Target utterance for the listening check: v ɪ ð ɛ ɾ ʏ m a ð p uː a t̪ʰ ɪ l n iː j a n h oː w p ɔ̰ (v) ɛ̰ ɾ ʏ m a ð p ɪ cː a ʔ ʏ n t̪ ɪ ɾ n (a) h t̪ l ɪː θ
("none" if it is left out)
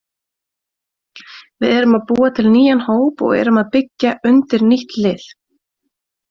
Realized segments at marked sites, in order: ɣ, i

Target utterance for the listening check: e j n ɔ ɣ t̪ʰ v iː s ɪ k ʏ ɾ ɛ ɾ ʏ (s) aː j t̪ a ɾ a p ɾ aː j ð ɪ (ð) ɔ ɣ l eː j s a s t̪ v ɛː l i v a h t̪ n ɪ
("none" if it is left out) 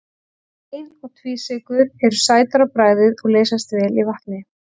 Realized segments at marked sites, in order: s, ð

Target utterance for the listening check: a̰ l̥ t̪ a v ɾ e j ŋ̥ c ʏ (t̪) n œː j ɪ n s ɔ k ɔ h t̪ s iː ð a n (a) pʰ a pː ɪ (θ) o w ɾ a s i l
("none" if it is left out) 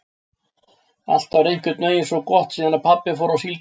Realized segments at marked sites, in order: t̪, a, f

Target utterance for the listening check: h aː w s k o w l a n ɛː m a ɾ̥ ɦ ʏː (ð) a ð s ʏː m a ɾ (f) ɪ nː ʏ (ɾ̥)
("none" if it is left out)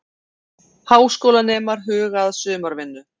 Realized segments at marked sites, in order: ɣ, v, none

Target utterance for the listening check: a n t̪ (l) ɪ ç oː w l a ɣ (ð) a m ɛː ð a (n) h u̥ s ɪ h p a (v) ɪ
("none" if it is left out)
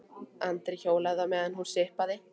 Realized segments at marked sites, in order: ɾ, ð, n, ð

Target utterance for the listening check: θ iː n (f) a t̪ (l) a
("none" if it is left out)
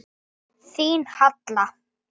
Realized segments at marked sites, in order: h, l

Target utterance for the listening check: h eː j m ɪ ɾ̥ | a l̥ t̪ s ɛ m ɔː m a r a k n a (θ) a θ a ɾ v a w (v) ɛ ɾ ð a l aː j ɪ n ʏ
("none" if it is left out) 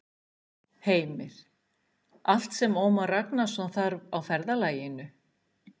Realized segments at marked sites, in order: s, f

